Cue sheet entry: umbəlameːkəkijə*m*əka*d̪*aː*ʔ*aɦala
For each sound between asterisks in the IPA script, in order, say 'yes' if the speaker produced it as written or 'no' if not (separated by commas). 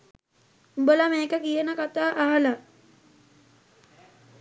no, no, yes